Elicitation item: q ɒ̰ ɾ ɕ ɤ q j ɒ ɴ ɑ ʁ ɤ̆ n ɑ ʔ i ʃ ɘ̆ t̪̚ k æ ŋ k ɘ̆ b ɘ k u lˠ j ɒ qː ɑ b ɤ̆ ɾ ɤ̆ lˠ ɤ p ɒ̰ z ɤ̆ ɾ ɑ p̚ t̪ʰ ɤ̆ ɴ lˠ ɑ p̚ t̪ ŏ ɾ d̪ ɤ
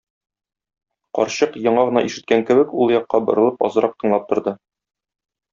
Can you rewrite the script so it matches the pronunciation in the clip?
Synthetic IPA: q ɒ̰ ɾ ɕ ɤ q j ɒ ɴ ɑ ʁ ɤ̆ n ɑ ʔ i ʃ ɘ̆ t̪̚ k æ ŋ k ɘ̆ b ɘ k u lˠ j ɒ qː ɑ b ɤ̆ ɾ ɤ̆ lˠ ɤ p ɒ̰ z ɤ̆ ɾ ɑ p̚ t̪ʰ ɤ̆ ɴ lˠ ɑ p̚ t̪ ŏ ɾ d̪ ɤ

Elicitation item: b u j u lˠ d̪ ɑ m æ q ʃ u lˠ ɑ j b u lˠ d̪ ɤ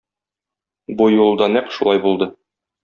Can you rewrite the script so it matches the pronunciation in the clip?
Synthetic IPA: b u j u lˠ d̪ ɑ n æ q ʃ u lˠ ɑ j b u lˠ d̪ ɤ

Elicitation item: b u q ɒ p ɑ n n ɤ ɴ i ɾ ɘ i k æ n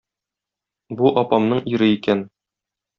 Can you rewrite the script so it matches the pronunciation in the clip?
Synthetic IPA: b u ʔ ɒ p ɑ m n ɤ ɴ i ɾ ɘ i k æ n

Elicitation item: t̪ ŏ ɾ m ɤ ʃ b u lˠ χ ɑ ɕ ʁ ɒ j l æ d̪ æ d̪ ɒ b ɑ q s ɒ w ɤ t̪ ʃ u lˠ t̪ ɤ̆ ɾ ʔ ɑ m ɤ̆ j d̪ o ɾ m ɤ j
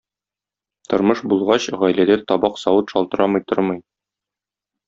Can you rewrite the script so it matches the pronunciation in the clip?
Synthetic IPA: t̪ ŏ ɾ m ɤ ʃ b u lˠ ʁ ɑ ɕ ʁ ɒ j l æ d̪ æ t̪ ɒ b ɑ q s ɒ w ɤ t̪ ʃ ɒ lˠ t̪ ɤ̆ ɾ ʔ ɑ m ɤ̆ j t̪ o ɾ m ɤ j

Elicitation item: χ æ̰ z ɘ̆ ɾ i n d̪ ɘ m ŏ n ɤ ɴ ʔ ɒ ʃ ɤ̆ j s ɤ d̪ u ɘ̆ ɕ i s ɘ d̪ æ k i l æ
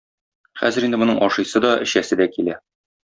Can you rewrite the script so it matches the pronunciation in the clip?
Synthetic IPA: χ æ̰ z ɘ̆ ɾ i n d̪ ɘ m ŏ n ɤ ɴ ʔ ɒ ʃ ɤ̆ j s ɤ d̪ ɒ ɘ̆ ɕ æ s ɘ d̪ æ k i l æ

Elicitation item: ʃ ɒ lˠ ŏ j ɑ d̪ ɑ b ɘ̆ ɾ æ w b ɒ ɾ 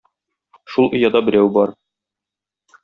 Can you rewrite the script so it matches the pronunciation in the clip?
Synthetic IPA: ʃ u lˠ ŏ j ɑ d̪ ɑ b ɘ̆ ɾ æ w b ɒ ɾ

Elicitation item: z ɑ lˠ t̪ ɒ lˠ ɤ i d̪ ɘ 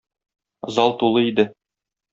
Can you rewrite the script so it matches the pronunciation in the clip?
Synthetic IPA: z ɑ lˠ t̪ u lˠ ɤ i d̪ ɘ

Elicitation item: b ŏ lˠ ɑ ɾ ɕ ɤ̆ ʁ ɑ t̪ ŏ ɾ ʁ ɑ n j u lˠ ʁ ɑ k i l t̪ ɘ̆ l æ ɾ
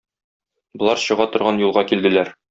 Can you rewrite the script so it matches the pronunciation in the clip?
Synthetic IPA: b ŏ lˠ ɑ ɾ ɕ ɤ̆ ʁ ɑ t̪ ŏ ɾ ʁ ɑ n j u lˠ ʁ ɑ k i l d̪ ɘ̆ l æ ɾ

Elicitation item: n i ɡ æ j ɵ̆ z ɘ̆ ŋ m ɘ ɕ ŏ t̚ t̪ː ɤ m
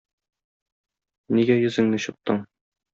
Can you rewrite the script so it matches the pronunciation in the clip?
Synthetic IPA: n i ɡ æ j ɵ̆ z ɘ̆ ŋ n ɘ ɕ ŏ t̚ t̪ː ɤ ɴ

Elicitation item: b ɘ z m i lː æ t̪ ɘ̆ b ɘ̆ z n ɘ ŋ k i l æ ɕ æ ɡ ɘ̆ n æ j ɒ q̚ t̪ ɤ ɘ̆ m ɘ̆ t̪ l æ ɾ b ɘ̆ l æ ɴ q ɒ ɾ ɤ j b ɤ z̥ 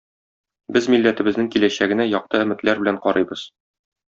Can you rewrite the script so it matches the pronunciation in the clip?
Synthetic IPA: b ɘ z m i lː æ t̪ ɘ̆ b ɘ̆ z n ɘ ŋ k i l æ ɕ æ ɡ ɘ̆ n æ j ɒ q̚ t̪ ɤ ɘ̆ m ɘ̆ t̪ l æ ɾ b ɘ̆ l æ ɴ q ɒ ɾ ɤ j b ɤ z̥

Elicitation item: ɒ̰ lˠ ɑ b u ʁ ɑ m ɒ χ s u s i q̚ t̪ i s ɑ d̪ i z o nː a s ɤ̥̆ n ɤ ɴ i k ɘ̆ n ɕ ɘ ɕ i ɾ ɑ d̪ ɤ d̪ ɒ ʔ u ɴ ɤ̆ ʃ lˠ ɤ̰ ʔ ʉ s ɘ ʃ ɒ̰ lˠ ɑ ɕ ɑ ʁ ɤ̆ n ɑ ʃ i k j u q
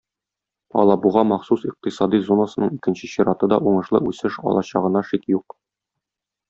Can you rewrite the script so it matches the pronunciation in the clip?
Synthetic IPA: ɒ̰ lˠ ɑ b u ʁ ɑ m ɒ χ s u s i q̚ t̪ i s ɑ d̪ i z o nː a s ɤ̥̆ n ɤ ɴ i k ɘ̆ n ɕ ɘ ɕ i ɾ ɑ t̪ ɤ d̪ ɒ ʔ u ɴ ɤ̆ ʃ lˠ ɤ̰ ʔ ʉ s ɘ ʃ ɒ̰ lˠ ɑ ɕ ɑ ʁ ɤ̆ n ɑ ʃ i k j u q

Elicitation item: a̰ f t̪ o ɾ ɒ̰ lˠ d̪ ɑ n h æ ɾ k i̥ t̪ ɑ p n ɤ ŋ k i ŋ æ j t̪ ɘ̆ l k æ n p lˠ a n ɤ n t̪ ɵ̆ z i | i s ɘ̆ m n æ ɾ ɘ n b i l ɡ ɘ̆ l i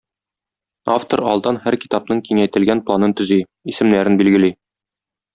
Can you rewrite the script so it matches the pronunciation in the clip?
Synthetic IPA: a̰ f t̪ o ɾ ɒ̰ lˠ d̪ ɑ n h æ ɾ k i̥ t̪ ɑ p n ɤ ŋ k i ŋ æ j t̪ ɘ̆ l ɡ æ n p lˠ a n ɤ n t̪ ɵ̆ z i | i s ɘ̆ m n æ ɾ ɘ n b i l ɡ ɘ̆ l i

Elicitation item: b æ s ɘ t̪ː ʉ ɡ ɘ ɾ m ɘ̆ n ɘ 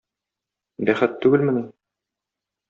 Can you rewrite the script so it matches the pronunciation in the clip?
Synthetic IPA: b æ χ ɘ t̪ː ʉ ɡ ɘ l m ɘ̆ n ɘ

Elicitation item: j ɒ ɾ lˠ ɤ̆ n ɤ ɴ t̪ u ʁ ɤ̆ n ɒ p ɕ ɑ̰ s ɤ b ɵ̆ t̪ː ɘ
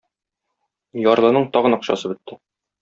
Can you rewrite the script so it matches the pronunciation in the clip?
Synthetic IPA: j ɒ ɾ lˠ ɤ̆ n ɤ ɴ t̪ ɒ ʁ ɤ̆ n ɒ q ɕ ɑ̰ s ɤ b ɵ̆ t̪ː ɘ

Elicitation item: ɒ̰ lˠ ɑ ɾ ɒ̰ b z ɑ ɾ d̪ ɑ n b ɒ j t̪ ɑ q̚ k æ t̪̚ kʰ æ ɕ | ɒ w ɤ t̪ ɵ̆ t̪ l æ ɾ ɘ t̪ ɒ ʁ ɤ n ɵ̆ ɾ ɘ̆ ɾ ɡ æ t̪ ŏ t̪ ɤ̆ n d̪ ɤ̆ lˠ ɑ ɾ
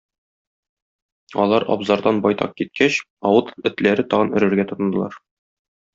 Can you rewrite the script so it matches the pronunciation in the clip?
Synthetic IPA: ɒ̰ lˠ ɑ ɾ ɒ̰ b z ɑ ɾ d̪ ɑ n b ɒ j t̪ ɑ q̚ k i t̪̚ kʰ æ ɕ | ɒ w ɤ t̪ ɵ̆ t̪ l æ ɾ ɘ t̪ ɒ ʁ ɤ n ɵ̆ ɾ ɘ̆ ɾ ɡ æ t̪ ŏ t̪ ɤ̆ n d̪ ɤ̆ lˠ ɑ ɾ

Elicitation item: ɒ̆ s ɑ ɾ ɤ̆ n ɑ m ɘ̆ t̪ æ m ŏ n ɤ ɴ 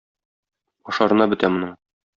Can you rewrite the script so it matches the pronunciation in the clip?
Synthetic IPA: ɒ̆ ʃ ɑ ɾ ɤ̆ n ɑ b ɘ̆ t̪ æ m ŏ n ɤ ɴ

